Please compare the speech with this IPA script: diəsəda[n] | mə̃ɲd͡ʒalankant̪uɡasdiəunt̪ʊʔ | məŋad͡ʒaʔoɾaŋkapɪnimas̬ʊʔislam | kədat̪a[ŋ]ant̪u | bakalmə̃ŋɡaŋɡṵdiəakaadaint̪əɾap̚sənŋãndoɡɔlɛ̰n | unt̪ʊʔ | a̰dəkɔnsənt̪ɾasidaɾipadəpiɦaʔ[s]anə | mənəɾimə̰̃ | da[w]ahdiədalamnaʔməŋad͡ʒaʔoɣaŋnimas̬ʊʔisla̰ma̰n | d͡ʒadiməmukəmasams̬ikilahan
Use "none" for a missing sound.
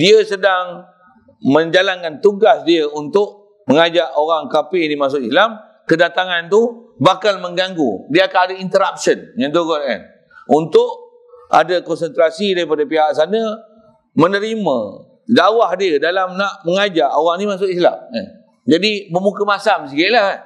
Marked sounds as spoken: ŋ, ŋ, s, w

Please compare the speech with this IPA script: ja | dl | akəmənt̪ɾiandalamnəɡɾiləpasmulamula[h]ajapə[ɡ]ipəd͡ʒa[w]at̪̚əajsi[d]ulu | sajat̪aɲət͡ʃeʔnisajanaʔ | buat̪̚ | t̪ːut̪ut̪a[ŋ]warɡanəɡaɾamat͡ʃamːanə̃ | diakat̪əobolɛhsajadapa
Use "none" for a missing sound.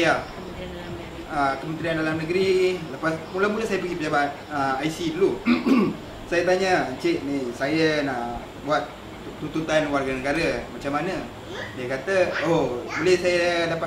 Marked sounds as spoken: s, ɡ, b, d, n

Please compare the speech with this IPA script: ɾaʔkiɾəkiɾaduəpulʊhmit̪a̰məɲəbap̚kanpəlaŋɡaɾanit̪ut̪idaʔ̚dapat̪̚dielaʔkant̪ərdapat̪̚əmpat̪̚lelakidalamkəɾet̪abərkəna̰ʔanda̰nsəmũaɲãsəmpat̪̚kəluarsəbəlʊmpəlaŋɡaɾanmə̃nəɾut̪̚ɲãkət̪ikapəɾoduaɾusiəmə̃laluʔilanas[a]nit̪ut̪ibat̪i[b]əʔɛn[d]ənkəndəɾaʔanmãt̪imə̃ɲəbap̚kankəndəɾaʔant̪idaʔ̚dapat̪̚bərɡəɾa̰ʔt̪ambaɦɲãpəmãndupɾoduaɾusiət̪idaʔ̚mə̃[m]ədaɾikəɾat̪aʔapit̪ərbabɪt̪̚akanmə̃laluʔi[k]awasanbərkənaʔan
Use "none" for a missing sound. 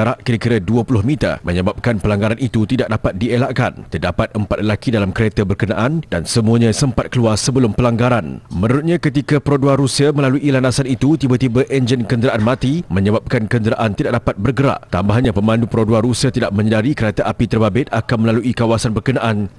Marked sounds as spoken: a, b, d͡ʒ, ɲ, k

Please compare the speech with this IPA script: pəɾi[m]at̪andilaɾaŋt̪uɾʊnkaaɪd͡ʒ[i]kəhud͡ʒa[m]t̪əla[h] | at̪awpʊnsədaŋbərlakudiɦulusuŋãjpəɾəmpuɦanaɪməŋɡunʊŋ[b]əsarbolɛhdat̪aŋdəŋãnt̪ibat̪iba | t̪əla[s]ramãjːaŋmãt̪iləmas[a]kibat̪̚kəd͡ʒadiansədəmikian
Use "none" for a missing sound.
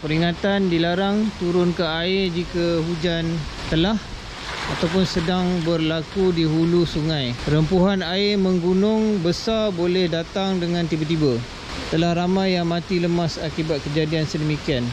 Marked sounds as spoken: ŋ, i, n, h, b, h, a

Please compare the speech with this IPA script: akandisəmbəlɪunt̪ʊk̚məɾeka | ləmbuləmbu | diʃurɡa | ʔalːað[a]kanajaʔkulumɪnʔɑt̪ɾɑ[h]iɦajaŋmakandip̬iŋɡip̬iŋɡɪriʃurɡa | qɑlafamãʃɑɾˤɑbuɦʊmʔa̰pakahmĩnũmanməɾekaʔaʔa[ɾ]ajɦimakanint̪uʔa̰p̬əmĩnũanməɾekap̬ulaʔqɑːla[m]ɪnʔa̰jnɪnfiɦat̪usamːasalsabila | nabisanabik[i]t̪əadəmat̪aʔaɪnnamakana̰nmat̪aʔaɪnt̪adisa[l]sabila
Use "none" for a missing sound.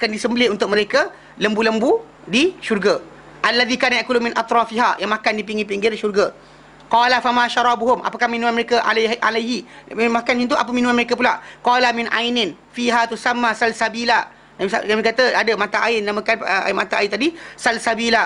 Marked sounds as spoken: i, f, l, m, a, l

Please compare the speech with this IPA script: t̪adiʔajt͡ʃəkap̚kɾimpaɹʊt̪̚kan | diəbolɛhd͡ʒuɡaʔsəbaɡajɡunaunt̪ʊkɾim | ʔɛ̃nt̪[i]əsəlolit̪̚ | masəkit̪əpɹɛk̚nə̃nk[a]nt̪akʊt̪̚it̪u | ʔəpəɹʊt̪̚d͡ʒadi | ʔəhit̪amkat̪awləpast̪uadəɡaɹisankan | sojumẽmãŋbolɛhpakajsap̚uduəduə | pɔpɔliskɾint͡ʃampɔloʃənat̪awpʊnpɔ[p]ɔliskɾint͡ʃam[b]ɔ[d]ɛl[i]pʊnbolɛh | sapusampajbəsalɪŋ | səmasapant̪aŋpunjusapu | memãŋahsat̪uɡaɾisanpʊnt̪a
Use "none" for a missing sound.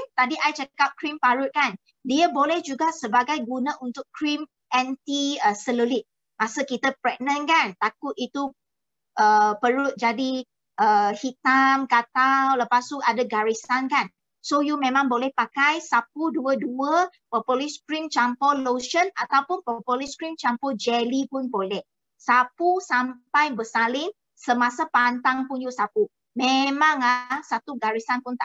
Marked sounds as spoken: i, a, p, p, d͡ʒ, i

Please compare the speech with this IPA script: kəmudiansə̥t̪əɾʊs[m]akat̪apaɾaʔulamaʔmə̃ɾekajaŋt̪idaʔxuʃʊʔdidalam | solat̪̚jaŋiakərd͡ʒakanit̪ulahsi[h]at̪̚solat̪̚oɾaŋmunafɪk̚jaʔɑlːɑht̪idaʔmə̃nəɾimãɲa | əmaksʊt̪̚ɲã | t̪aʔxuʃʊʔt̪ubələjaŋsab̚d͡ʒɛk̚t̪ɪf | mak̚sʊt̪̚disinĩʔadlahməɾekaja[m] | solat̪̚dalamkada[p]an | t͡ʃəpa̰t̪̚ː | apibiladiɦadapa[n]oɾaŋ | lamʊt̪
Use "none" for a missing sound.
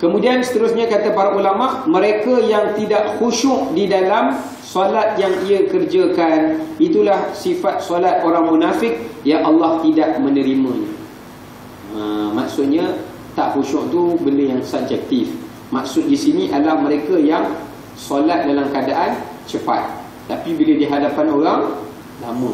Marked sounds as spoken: ɲ, f, ŋ, ʔ, n

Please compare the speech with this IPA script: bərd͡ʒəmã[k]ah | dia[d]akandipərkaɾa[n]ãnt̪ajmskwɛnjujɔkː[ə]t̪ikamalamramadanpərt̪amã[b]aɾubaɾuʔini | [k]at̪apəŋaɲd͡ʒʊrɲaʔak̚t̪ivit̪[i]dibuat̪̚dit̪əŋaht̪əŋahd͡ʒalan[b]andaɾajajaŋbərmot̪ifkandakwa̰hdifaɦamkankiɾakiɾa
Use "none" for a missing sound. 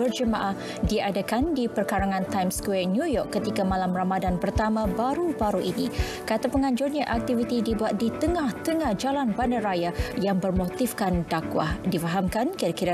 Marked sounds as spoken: ʔ, d, ŋ, ə, b, k, i, b

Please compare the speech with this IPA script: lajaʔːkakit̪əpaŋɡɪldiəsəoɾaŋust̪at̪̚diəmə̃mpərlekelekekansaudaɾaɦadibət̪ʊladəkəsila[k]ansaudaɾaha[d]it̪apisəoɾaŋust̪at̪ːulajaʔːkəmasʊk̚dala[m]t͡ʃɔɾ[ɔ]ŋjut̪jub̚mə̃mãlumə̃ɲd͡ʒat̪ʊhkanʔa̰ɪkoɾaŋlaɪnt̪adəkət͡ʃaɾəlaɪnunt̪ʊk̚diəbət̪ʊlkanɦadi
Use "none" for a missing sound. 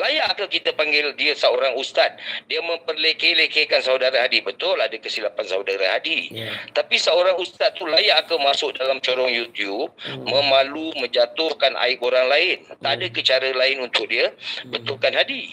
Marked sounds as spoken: p, d, m, ɔ

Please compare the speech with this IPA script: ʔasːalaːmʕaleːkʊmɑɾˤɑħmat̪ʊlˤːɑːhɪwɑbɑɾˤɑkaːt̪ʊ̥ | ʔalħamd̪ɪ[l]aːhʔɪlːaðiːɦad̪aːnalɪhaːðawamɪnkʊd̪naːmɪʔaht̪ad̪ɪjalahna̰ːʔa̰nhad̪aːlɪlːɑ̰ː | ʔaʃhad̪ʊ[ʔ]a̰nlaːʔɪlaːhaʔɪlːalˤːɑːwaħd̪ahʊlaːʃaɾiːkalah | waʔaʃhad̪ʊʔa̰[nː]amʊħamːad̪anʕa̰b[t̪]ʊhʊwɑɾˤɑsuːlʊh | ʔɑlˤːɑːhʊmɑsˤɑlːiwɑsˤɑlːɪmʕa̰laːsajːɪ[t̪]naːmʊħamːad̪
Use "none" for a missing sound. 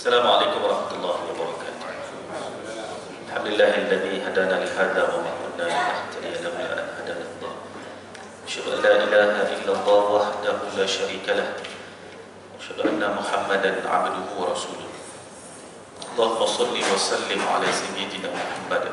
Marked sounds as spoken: lː, ʔ, nː, d̪, d̪

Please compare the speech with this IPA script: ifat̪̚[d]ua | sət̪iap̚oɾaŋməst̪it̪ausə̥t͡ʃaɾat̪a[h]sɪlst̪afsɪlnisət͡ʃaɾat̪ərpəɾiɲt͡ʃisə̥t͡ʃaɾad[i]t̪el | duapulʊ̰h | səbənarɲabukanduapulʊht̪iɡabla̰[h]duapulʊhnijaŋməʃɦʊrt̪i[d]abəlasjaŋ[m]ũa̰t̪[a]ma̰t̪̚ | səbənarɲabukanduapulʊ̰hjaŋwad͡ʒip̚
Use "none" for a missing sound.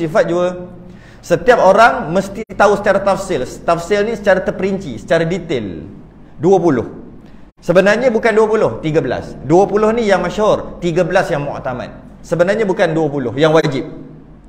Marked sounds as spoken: d͡ʒ, f, i, s, ɡ, m, a

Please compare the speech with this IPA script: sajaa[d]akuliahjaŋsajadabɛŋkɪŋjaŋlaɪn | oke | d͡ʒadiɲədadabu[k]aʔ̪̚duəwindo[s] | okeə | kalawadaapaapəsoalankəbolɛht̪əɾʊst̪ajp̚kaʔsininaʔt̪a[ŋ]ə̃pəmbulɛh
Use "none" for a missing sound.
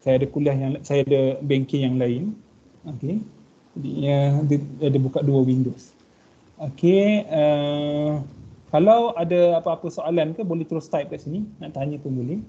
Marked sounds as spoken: d, k, s, ɲ

